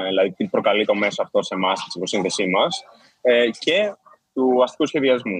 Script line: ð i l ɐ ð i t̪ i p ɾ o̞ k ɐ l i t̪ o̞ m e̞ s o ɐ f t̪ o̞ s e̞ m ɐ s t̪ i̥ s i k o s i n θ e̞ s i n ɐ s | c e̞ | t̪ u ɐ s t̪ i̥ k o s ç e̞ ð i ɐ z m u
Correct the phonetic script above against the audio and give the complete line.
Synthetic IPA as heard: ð i l ɐ ð i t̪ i p ɾ o̞ k ɐ l i t̪ o̞ m e̞ s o ɐ f t̪ o̞ s e̞ m ɐ s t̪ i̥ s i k o s i n θ e̞ s i m ɐ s | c e̞ | t̪ u ɐ s t̪ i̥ k u s ç e̞ ð i ɐ z m u